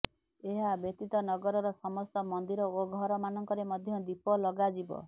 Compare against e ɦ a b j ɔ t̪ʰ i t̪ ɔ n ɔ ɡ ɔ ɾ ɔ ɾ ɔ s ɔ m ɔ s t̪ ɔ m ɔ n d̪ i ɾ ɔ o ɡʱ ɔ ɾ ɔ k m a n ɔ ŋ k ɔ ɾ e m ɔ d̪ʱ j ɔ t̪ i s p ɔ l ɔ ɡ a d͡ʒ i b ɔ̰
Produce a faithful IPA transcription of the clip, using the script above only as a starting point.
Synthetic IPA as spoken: e ɦ a b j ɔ t̪ i t̪ ɔ n ɔ ɡ ɔ ɾ ɔ ɾ ɔ s ɔ m ɔ s t̪ ɔ m ɔ n d̪ i ɾ ɔ o ɡʱ ɔ ɾ ɔ m a n ɔ ŋ k ɔ ɾ e m ɔ d̪ʱ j ɔ d̪ i p ɔ l ɔ ɡ a d͡ʒ i b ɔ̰